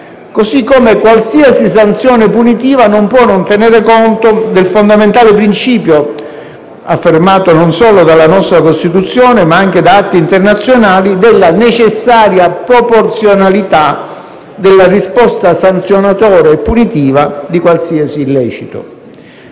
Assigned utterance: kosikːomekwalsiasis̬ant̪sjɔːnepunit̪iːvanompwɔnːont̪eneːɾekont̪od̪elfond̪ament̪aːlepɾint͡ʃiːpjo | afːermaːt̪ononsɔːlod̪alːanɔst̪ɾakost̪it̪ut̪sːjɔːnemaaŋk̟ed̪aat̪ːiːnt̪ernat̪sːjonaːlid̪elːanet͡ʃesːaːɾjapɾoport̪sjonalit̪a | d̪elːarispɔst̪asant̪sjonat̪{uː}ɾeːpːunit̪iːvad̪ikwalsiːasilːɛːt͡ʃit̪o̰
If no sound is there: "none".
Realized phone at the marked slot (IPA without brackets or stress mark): ɔː